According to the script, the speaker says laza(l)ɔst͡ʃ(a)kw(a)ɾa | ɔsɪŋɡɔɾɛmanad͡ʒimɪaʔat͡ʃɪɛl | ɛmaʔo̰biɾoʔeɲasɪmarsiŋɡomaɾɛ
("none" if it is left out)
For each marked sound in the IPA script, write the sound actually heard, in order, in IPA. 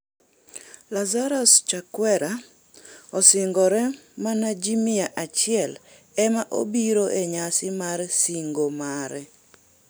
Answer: ɾ, a, ɛ

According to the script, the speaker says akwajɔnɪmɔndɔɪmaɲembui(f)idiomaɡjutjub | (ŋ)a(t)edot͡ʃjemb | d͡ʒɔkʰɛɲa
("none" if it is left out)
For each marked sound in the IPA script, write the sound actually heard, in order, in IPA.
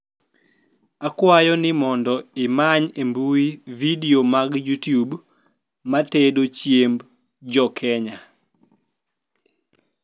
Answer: v, m, t

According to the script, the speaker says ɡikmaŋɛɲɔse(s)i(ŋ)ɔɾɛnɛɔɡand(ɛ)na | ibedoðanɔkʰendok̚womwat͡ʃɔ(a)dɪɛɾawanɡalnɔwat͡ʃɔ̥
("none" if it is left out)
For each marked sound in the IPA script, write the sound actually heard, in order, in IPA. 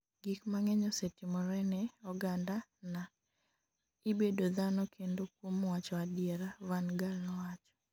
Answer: t, m, a, a

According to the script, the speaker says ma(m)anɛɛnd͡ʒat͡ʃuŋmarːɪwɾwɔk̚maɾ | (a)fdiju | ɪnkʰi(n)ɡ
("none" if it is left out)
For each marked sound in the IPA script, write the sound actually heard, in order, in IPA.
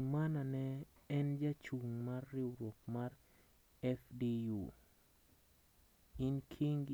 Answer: n, ɛ, ŋ

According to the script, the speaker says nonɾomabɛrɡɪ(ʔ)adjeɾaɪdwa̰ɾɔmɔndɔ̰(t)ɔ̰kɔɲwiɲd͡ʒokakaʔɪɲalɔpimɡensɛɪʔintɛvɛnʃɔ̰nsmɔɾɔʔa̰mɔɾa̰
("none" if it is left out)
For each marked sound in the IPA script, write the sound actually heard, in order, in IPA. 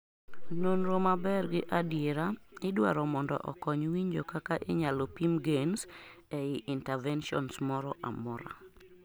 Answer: ʔ, ʔ

